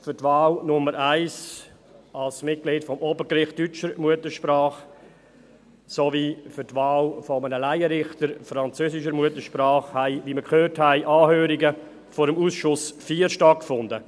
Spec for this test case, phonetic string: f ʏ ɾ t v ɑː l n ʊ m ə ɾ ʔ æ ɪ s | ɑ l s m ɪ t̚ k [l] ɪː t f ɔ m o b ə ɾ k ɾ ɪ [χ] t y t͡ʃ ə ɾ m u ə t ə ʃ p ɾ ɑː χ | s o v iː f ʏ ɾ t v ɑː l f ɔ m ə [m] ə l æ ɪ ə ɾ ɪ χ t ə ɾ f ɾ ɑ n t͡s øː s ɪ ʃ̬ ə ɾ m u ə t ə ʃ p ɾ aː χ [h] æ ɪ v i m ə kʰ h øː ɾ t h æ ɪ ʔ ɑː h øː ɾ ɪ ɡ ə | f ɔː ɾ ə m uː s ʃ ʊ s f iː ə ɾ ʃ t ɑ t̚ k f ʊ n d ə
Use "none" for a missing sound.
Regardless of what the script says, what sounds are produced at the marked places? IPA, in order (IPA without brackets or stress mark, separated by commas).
l, χ, n, h